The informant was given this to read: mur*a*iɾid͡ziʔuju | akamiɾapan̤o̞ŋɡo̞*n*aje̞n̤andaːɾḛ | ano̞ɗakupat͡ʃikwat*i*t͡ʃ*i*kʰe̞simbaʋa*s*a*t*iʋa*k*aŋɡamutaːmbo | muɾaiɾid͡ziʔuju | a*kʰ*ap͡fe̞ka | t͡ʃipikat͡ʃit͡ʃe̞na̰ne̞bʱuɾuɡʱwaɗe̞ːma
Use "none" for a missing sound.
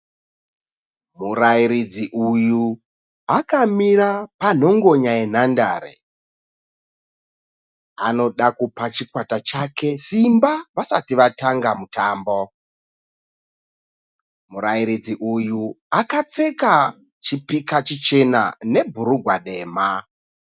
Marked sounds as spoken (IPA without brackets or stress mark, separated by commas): a, ɲ, a, a, s, t, t, k